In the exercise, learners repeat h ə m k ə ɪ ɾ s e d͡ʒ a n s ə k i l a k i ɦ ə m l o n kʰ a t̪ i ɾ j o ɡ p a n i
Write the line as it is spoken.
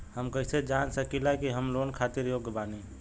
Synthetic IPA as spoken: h ə m k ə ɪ s e d͡ʒ a n s ə k i l a k i ɦ ə m l o n kʰ a t̪ i ɾ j o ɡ b a n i